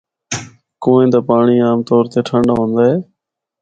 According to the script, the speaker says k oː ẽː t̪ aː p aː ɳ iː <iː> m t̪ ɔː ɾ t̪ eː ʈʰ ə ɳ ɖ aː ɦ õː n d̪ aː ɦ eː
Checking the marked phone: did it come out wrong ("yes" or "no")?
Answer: yes